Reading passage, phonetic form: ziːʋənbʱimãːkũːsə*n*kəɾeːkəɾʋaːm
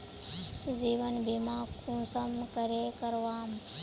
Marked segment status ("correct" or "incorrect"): incorrect